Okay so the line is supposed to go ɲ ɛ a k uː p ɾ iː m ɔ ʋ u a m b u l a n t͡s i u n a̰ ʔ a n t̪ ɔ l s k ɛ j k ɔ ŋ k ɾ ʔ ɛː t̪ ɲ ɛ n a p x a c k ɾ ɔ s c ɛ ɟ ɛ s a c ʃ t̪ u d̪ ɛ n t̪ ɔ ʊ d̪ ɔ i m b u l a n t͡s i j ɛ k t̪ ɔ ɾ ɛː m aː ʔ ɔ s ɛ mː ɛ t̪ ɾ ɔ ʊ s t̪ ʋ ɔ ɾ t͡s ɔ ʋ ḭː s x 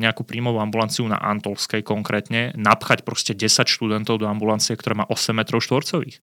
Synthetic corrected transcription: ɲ ɛ a k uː p ɾ iː m ɔ ʋ u a m b u l a n t͡s i u n a̰ ʔ a n t̪ ɔ l s k ɛ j k ɔ ŋ k ɾ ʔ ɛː t̪ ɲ ɛ n a p x a c p ɾ ɔ s c ɛ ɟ ɛ s a c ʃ t̪ u d̪ ɛ n t̪ ɔ ʊ d̪ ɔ a m b u l a n t͡s i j ɛ k t̪ ɔ ɾ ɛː m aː ʔ ɔ s ɛ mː ɛ t̪ ɾ ɔ ʊ ʃ t̪ ʋ ɔ ɾ t͡s ɔ ʋ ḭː x